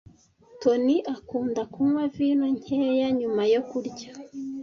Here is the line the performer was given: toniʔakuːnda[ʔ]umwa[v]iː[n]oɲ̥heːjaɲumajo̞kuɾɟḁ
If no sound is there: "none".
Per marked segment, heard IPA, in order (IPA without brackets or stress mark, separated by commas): k, v, n